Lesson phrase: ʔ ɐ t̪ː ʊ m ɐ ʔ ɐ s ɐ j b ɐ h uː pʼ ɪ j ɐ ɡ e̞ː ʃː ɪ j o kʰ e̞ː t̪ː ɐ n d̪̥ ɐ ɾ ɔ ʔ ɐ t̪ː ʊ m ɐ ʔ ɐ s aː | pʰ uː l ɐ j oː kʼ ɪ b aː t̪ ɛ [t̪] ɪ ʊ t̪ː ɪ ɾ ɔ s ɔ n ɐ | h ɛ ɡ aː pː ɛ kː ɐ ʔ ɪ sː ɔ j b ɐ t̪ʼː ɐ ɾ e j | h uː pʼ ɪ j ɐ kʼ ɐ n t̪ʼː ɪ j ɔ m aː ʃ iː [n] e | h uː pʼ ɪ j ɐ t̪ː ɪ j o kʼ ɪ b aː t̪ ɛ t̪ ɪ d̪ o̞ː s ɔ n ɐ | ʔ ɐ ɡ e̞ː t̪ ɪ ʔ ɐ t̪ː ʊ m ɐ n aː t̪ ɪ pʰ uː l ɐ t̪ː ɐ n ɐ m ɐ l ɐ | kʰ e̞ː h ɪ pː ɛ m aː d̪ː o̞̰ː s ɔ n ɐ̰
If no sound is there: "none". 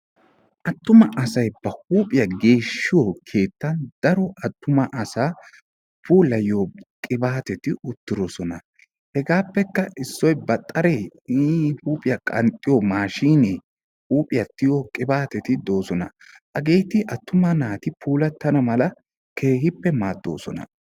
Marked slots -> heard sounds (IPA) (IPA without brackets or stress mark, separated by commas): t̪, n